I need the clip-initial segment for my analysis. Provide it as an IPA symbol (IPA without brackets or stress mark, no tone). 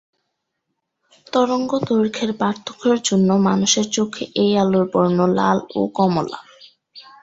t̪